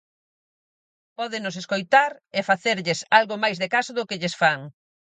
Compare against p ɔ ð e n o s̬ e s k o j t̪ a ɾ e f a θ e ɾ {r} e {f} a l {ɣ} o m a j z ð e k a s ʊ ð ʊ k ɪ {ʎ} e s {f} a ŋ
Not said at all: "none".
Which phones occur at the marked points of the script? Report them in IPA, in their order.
ʎ, s, ɣ, ʎ, f

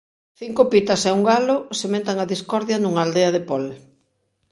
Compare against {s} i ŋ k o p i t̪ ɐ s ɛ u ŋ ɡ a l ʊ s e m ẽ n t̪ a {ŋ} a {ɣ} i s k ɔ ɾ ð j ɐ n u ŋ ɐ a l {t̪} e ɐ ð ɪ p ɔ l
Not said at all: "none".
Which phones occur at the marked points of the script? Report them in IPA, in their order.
θ, ŋ, ð, d̪

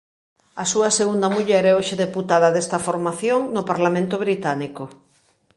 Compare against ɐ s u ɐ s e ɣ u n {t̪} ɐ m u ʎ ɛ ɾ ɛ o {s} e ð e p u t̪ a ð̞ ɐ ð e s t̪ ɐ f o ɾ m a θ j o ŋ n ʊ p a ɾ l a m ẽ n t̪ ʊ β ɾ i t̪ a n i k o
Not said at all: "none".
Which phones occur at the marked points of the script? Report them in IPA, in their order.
d̪, ʃ

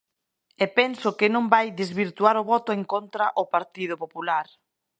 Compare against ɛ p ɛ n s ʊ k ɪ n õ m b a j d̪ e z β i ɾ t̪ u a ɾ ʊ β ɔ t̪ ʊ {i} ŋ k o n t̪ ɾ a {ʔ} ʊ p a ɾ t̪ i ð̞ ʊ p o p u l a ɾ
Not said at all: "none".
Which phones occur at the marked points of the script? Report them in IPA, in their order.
e, ʔ

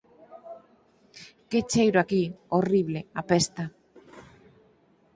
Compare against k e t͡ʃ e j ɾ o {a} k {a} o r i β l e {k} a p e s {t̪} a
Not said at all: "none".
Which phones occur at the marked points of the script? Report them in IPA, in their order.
a, i, none, t̪

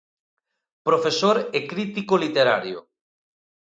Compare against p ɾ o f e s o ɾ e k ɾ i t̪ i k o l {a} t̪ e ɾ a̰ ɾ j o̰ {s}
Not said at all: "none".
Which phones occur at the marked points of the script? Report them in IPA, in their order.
i, none

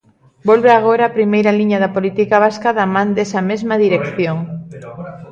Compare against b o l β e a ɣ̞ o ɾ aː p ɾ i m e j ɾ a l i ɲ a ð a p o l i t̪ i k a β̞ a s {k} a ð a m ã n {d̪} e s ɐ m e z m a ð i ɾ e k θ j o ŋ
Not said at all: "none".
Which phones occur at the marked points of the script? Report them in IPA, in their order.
k, d̪

